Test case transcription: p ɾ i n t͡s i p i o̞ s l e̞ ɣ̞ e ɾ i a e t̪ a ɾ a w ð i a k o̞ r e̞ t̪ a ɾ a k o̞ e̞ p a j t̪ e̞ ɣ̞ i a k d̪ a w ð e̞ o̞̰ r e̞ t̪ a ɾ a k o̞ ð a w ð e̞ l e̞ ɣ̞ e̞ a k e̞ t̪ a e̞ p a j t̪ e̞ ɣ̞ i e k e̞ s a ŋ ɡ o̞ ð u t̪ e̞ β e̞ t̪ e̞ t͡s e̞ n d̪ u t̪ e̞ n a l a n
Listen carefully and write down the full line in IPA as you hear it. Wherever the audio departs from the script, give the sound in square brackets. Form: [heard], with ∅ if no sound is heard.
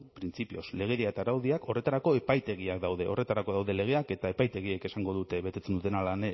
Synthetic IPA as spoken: p ɾ i n t͡s i p i o̞ s l e̞ ɣ̞ e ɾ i a e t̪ a ɾ a w ð i a k o̞ r e̞ t̪ a ɾ a k o̞ e̞ p a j t̪ e̞ ɣ̞ i a k d̪ a w ð e̞ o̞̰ r e̞ t̪ a ɾ a k o̞ ð a w ð e̞ l e̞ ɣ̞ e̞ a k e̞ t̪ a e̞ p a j t̪ e̞ ɣ̞ i e k e̞ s a ŋ ɡ o̞ ð u t̪ e̞ β e̞ t̪ e̞ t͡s e̞ n d̪ u t̪ e̞ n a l a n